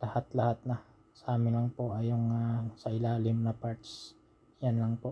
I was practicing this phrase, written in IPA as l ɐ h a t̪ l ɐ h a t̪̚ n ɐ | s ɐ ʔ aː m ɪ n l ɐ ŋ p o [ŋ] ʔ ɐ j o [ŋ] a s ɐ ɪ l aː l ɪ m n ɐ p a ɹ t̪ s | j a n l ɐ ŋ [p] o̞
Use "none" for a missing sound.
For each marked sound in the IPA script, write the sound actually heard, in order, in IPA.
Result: none, ŋ, p

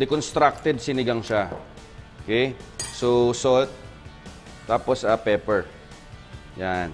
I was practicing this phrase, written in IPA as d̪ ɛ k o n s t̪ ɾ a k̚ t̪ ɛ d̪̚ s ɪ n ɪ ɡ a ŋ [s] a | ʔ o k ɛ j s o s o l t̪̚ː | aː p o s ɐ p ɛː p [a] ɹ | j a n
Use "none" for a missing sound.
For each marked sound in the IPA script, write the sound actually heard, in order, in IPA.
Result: ʃ, ɛ

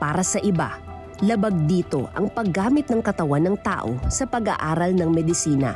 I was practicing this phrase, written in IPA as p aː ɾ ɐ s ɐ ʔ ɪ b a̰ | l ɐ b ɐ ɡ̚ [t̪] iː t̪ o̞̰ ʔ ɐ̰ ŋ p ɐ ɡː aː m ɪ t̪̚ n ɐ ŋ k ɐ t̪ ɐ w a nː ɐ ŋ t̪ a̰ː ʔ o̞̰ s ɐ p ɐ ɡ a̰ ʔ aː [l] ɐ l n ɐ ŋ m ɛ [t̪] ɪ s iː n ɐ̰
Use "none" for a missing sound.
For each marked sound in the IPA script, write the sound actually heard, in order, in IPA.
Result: d̪, ɾ, d̪

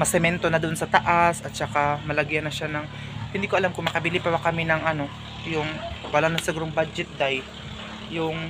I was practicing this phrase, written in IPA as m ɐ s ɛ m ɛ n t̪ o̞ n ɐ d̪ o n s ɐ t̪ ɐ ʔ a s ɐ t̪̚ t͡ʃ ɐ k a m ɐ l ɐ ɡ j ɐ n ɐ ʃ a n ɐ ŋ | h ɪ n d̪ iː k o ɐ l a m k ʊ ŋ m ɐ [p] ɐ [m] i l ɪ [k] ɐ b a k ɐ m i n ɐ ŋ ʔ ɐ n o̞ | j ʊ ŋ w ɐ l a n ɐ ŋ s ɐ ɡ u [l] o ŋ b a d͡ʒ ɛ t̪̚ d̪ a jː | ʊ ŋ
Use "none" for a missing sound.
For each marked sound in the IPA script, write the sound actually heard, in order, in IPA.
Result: k, b, p, ɾ

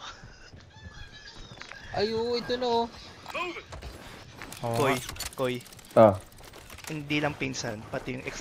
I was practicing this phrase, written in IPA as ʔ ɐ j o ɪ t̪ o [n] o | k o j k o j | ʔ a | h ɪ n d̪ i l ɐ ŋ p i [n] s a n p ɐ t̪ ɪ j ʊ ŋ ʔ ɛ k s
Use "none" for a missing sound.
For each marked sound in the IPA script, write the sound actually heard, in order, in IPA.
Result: n, n

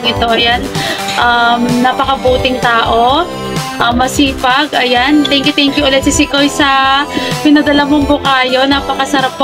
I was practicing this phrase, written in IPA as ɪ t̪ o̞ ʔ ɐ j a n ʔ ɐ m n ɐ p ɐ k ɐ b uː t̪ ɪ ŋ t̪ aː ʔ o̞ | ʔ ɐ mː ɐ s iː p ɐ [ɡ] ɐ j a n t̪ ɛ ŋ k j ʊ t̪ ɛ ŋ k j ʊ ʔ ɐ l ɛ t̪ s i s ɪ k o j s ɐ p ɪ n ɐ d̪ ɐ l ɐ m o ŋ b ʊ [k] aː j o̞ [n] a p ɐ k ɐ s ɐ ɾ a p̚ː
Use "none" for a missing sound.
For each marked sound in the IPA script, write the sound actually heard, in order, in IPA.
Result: ɡ, k, n

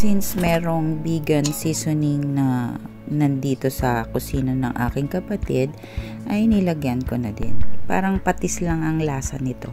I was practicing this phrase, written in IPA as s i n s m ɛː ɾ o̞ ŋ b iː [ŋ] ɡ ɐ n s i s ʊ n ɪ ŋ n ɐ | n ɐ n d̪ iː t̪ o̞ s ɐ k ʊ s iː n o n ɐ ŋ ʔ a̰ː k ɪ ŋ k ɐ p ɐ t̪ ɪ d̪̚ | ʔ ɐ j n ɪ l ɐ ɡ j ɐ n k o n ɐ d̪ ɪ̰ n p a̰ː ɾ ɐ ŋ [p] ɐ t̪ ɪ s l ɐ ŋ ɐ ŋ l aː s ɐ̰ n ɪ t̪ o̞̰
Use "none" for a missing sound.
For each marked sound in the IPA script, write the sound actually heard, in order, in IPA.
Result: none, p

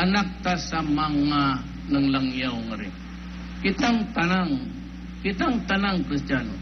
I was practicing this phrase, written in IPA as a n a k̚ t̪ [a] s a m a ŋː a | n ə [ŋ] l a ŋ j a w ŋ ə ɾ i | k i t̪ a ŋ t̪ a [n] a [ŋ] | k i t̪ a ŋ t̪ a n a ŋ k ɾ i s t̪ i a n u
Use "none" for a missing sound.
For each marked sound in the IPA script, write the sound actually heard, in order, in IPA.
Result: a, ŋ, n, ŋ

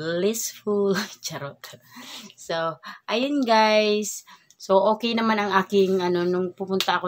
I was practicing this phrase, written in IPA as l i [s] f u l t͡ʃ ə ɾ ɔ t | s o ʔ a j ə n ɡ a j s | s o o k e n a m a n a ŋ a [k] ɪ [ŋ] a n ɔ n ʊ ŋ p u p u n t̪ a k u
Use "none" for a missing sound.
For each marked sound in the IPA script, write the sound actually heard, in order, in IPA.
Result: s, k, ŋ

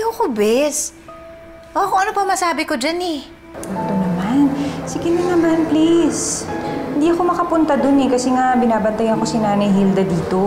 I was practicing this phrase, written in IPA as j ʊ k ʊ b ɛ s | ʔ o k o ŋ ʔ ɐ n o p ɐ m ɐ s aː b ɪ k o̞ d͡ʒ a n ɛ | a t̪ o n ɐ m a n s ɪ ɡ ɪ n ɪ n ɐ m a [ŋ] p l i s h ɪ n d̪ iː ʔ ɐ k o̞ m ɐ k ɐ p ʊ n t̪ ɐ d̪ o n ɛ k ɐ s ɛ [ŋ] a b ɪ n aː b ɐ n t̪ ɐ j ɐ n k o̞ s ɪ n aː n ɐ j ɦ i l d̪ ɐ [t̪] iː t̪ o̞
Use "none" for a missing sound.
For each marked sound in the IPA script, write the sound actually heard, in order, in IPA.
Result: n, ŋ, d̪

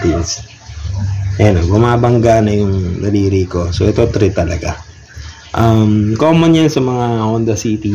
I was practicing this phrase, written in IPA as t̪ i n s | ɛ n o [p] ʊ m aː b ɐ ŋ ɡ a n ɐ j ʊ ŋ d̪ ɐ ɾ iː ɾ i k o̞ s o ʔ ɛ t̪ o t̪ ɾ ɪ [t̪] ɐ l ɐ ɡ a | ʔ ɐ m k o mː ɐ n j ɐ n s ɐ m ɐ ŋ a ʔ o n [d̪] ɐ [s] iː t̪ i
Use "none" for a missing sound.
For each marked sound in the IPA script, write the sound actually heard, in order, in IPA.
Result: b, t̪, d̪, s

